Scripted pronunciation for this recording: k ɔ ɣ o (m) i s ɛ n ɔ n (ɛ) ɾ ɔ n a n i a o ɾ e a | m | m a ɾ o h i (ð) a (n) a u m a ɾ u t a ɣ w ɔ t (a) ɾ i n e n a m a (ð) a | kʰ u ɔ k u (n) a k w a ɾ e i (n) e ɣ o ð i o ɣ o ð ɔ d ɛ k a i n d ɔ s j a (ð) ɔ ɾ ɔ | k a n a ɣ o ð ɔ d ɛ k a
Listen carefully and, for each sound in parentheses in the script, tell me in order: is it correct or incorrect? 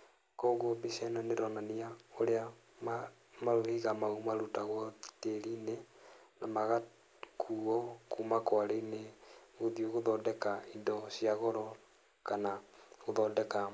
incorrect, incorrect, incorrect, incorrect, incorrect, incorrect, incorrect, correct, incorrect

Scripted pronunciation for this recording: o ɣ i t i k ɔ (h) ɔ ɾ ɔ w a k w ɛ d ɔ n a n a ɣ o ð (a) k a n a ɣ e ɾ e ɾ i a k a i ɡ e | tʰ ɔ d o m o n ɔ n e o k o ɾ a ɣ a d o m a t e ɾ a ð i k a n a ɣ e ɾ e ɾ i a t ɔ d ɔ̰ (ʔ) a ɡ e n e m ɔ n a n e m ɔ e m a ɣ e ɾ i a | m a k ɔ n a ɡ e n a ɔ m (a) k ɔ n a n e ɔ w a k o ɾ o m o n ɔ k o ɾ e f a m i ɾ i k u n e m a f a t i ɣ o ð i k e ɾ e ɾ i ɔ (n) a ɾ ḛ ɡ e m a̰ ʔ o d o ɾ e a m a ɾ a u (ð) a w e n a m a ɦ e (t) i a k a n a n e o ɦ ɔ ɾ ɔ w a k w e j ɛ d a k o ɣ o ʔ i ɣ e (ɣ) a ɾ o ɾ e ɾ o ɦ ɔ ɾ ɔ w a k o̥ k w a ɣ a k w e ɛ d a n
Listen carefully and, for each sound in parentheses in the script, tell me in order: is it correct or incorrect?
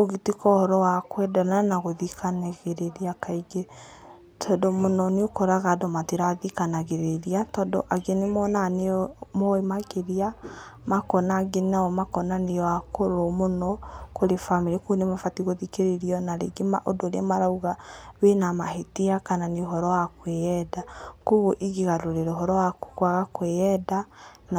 correct, incorrect, correct, correct, correct, incorrect, correct, correct

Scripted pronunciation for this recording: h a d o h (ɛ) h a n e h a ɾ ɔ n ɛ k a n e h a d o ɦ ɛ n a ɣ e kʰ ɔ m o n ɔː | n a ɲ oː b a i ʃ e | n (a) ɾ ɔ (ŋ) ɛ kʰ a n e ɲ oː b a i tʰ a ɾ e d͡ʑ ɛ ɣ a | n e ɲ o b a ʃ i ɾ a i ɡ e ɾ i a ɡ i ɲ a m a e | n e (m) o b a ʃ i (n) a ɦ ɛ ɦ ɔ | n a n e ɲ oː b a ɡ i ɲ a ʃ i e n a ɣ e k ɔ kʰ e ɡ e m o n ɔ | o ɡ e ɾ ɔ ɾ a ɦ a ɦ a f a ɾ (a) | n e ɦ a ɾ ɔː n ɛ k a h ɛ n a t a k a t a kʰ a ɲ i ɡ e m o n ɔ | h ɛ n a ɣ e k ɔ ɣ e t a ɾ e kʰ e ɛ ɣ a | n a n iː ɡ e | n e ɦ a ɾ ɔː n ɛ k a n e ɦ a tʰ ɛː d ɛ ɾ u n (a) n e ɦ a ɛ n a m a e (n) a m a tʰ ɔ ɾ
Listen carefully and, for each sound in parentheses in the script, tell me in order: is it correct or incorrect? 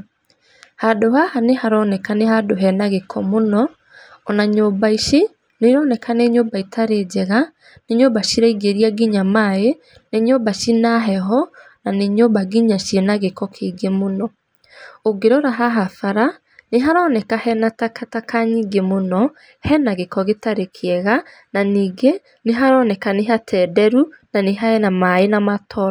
incorrect, incorrect, incorrect, incorrect, correct, correct, correct, correct

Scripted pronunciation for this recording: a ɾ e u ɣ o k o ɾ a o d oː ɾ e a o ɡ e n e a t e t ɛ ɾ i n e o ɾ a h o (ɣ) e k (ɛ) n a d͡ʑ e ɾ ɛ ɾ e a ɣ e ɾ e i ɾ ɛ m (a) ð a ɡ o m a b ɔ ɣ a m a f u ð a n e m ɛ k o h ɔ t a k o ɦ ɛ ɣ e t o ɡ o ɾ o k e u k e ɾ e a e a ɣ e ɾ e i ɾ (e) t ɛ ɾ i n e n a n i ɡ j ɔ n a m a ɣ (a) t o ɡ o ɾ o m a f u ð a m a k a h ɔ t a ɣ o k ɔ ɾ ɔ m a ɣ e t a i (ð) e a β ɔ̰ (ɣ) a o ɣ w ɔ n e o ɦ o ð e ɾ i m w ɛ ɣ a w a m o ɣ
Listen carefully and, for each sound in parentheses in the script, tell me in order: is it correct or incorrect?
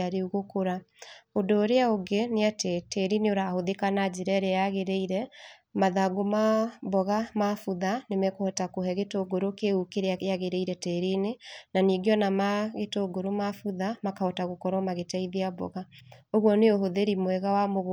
incorrect, incorrect, correct, incorrect, incorrect, correct, correct

